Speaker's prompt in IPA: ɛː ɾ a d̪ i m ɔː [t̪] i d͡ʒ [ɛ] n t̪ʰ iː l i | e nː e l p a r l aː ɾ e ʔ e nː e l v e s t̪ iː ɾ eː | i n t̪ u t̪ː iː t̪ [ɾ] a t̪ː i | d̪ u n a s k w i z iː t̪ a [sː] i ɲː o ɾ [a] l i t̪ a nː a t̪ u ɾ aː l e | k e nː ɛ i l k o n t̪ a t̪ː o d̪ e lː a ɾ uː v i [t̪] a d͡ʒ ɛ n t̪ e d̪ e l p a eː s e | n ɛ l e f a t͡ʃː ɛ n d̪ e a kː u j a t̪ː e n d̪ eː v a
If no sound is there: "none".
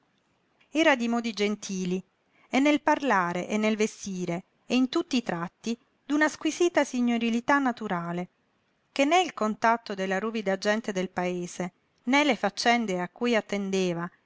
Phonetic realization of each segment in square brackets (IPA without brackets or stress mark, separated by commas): d̪, e, ɾ, s, i, d̪